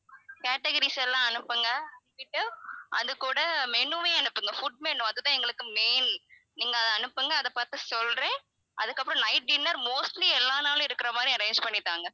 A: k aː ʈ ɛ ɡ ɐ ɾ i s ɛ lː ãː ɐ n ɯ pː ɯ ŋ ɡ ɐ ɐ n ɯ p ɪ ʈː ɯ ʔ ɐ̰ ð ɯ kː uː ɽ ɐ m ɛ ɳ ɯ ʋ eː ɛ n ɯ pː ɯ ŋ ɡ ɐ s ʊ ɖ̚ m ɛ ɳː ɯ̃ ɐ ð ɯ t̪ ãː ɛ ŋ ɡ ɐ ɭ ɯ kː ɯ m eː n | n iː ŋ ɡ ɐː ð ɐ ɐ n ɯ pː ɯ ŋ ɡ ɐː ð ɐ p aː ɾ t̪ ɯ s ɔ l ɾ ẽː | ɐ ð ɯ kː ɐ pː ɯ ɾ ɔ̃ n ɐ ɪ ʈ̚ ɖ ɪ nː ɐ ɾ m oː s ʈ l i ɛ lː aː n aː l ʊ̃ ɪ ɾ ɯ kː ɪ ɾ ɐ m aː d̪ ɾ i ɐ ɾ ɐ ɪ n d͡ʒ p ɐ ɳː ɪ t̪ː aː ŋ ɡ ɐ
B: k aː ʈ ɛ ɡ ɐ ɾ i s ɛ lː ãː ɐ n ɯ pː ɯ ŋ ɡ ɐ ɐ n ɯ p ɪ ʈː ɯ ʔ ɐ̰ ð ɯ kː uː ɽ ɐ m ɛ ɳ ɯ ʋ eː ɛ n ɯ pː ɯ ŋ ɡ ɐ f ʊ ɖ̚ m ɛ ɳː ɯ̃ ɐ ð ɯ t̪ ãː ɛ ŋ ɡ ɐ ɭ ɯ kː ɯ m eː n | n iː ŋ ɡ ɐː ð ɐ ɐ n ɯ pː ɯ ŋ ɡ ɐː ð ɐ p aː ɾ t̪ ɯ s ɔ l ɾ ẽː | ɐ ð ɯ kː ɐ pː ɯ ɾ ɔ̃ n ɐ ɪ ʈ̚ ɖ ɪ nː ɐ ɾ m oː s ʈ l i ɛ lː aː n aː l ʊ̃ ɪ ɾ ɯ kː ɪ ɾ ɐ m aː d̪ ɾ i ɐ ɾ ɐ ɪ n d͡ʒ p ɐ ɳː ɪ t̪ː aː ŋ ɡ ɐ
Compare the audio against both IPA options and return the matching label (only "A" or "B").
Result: B